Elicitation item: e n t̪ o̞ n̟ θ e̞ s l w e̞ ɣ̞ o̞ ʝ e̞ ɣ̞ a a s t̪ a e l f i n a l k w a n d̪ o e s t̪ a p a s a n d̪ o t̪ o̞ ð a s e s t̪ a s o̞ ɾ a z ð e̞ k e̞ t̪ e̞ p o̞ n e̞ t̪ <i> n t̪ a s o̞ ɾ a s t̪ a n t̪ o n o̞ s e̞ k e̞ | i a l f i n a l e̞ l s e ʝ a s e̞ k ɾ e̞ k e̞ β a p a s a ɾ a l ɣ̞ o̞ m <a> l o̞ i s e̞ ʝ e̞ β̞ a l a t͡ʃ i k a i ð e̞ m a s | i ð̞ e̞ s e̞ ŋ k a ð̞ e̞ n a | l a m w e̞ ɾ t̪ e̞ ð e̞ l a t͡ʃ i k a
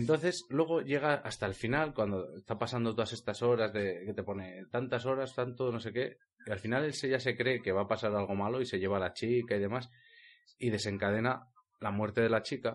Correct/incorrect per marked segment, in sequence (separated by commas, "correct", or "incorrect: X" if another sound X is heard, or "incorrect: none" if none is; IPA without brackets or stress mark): incorrect: a, correct